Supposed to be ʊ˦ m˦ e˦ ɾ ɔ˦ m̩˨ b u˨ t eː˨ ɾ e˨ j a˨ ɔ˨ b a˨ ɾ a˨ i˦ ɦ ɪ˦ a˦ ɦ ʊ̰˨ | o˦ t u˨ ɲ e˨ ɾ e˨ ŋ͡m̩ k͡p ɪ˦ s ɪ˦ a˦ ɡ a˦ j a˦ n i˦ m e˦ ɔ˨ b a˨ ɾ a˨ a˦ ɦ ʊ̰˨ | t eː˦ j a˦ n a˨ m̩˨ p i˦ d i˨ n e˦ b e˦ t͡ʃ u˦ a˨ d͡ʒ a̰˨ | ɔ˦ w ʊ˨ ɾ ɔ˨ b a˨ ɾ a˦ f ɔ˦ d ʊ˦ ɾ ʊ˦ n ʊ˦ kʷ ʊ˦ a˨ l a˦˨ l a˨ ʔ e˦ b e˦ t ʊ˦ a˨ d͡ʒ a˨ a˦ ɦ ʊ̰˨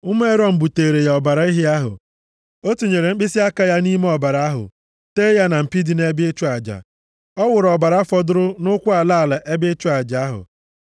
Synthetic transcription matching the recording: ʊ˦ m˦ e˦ ɾ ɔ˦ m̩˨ b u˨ t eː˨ ɾ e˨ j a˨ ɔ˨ b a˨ ɾ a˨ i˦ ɦ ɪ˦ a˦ ɦ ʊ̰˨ | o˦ t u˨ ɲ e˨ ɾ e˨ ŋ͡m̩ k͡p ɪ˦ s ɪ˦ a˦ k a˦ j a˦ n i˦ m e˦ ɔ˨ b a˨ ɾ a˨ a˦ ɦ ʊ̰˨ | t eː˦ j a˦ n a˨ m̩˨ p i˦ d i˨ n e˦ b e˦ t͡ʃ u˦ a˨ d͡ʒ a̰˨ | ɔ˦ w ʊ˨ ɾ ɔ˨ b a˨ ɾ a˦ f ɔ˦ d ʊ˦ ɾ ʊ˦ n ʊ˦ kʷ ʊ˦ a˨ l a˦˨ l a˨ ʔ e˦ b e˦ t͡ʃ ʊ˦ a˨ d͡ʒ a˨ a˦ ɦ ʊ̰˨